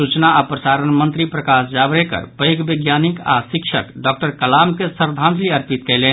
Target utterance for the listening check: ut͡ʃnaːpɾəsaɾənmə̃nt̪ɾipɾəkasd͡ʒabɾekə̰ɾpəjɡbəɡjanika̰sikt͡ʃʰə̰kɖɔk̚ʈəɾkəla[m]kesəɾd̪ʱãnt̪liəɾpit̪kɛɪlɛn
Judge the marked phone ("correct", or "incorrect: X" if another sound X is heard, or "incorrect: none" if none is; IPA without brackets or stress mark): correct